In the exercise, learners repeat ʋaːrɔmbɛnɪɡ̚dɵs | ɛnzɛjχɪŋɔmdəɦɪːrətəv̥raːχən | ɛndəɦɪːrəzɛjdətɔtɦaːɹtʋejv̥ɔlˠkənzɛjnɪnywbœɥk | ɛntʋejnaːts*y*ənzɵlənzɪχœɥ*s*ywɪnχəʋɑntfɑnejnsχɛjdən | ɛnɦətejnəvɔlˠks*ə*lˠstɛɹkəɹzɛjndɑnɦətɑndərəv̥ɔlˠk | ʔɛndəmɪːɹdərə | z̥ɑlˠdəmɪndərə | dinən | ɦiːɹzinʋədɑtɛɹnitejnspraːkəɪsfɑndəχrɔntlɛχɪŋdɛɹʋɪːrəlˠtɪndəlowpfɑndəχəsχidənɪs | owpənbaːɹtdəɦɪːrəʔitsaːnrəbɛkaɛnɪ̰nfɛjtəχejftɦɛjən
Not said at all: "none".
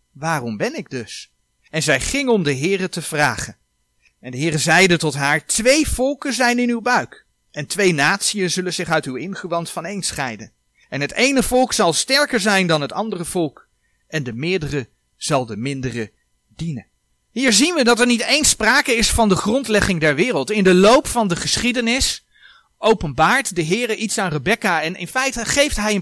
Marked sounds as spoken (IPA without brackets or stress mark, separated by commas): i, t, ɑ